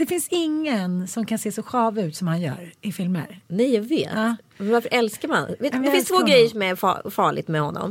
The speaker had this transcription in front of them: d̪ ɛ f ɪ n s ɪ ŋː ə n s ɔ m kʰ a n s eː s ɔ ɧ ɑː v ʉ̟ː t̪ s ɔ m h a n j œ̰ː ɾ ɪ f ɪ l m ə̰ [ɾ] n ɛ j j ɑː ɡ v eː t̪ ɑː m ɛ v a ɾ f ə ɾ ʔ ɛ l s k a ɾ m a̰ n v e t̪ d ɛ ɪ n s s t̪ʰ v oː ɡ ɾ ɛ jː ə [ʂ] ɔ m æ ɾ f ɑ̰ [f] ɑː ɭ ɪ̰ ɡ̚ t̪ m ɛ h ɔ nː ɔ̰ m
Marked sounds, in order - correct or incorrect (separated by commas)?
correct, correct, correct